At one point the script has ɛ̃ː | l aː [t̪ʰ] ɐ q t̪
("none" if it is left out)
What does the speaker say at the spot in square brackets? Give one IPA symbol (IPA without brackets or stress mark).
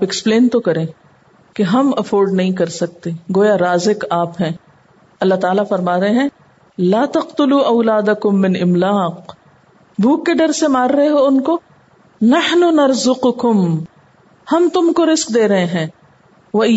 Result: t̪